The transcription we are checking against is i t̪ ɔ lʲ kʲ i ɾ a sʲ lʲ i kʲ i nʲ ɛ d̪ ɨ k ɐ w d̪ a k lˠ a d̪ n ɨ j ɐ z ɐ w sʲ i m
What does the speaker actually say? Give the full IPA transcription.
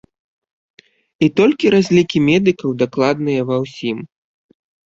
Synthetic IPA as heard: i t̪ ɔ lʲ kʲ i ɾ a zʲ lʲ i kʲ i mʲ ɛ d̪ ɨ k ɐ w d̪ a k lˠ a d̪ n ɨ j ɐ v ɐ w sʲ i m